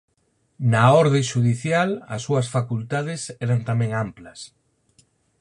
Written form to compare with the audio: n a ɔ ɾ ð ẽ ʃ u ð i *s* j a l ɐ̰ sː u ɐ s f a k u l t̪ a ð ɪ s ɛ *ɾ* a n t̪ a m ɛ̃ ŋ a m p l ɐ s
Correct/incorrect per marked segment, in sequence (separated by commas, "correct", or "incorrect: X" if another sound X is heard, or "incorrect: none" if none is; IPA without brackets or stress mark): incorrect: θ, correct